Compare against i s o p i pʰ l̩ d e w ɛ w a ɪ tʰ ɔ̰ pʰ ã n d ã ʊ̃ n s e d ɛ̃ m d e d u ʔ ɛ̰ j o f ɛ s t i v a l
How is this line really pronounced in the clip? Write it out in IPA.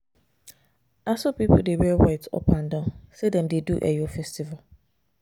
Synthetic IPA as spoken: a s o p i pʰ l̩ d e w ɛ w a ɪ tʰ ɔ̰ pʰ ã n d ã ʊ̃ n s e d ɛ̃ m d e d u ʔ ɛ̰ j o f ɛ s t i v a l

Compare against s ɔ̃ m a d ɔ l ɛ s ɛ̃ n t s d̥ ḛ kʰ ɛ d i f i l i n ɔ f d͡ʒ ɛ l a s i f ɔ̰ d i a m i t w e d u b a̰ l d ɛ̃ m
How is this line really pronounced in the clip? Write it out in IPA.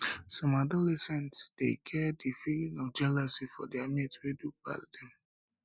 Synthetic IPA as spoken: s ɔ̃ m a d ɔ l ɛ s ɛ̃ n t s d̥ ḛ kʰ ɛ d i f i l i n ɔ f d͡ʒ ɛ l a s i f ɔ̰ d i a m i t w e d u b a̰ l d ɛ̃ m

